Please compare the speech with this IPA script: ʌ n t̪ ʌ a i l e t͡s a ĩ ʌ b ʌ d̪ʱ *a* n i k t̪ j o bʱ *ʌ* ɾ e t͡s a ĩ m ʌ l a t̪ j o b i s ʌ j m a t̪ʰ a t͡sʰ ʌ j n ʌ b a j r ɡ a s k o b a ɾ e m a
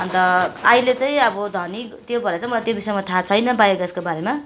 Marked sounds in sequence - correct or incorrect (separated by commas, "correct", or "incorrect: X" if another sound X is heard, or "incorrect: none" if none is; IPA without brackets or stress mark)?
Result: incorrect: ʌ, correct